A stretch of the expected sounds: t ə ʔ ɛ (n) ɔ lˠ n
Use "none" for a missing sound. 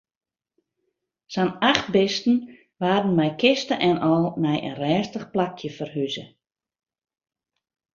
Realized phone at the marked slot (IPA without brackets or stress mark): n